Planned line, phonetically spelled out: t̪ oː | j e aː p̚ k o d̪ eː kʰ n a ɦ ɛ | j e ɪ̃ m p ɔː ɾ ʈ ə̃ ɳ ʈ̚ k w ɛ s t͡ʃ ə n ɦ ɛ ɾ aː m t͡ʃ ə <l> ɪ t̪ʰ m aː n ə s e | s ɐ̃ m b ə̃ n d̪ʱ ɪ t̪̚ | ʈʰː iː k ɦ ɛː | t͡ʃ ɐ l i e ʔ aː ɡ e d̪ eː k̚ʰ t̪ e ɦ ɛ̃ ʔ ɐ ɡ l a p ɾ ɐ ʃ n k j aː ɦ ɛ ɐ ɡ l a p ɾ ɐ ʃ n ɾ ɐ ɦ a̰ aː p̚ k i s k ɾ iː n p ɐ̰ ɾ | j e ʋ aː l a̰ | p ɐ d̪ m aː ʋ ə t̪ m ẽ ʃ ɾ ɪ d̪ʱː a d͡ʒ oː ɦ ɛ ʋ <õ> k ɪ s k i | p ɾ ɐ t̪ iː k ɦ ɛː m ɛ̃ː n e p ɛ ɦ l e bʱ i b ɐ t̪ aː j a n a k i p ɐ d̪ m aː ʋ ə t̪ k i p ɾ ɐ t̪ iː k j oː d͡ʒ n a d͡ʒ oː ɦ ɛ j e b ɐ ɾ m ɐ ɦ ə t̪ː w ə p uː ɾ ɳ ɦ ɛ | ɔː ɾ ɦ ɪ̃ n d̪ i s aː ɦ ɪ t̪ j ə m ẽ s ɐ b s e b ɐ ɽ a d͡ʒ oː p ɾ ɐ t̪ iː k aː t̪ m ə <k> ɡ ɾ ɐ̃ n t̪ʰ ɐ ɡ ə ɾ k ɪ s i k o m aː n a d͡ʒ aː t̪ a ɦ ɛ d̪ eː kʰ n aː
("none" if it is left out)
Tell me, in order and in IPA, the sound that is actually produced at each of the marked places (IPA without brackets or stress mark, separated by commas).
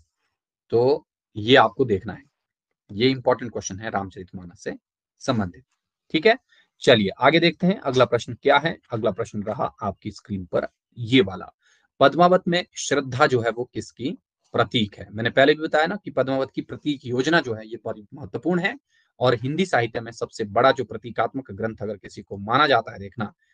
ɾ, o, k